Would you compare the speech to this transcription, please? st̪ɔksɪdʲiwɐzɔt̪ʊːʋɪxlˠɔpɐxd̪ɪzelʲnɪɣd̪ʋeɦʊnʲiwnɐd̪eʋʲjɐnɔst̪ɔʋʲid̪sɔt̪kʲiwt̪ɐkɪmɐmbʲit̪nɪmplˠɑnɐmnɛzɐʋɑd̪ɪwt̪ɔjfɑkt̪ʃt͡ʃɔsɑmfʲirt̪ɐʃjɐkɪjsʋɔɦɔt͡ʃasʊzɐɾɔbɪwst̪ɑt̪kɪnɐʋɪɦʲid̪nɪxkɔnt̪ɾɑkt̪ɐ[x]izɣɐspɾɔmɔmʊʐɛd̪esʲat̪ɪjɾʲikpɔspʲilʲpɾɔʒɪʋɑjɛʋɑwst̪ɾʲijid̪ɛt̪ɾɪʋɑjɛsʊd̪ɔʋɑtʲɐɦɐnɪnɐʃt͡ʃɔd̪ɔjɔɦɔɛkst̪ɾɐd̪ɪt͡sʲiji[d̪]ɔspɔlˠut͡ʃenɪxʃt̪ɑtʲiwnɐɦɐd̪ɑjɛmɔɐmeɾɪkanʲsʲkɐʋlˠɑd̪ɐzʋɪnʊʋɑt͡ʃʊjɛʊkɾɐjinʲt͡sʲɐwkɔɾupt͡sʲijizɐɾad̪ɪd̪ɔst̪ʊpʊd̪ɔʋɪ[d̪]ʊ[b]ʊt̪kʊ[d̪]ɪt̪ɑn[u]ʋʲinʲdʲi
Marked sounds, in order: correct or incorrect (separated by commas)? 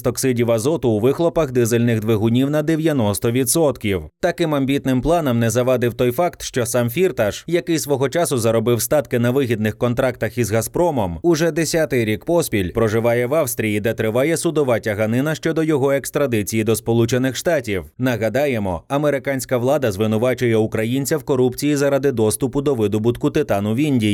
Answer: correct, correct, correct, correct, incorrect, incorrect